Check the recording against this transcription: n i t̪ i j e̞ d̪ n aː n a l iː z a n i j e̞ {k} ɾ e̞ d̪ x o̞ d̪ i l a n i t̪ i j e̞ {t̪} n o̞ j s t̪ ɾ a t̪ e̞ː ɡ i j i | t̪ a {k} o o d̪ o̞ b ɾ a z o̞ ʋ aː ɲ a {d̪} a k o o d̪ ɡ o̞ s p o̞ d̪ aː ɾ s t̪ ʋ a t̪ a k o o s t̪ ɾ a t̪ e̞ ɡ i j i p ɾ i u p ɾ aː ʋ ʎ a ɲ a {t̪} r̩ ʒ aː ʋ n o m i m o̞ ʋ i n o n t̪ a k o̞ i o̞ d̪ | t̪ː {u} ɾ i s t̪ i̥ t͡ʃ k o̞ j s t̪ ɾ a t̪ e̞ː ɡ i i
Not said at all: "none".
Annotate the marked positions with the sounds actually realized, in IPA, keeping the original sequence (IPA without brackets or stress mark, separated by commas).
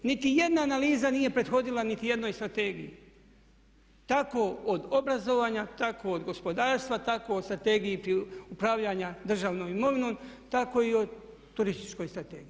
p, d̪, k, t̪, d̪, u